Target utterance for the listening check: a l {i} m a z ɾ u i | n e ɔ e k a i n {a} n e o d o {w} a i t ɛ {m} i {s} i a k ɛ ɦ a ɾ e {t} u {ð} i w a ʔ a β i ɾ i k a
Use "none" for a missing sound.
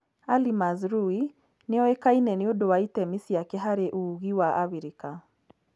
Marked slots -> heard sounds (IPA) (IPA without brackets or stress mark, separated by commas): i, ɛ, w, m, s, ʔ, ɣ